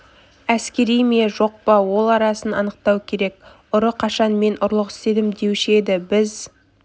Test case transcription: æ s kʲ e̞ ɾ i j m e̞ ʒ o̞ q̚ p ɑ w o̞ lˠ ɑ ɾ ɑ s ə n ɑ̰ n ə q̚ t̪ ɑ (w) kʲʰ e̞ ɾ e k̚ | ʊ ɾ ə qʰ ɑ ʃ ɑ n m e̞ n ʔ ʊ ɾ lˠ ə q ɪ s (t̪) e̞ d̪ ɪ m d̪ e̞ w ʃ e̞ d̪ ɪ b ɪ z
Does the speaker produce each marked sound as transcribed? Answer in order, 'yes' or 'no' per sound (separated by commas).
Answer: yes, yes